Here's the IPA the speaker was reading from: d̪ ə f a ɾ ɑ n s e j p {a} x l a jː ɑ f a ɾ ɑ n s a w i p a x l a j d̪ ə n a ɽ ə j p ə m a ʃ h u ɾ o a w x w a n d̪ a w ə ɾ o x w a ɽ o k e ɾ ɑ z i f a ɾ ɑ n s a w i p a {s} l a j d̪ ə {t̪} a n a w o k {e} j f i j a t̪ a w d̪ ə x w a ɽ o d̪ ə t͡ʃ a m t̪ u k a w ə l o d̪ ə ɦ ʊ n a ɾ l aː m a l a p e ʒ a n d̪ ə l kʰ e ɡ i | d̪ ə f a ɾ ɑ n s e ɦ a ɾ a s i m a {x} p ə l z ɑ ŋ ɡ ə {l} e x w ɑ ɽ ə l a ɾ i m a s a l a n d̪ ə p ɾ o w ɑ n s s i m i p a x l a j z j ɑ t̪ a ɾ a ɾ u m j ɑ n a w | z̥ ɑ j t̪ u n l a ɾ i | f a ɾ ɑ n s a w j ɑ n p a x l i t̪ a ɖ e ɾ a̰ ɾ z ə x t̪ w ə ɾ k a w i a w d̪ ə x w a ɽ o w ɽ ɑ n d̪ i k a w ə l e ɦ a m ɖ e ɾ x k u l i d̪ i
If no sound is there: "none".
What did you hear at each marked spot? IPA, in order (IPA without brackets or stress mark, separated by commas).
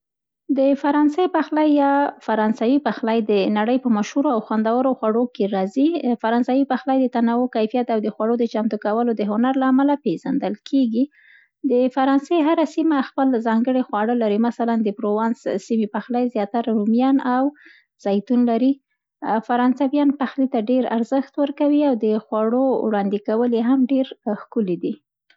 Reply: a, x, t̪, a, x, ɽ